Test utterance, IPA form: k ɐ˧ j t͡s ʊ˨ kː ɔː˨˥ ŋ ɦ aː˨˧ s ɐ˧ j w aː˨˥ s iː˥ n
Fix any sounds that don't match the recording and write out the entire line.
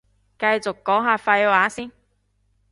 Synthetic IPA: k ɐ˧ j t͡s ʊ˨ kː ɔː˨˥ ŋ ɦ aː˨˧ f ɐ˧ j w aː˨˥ s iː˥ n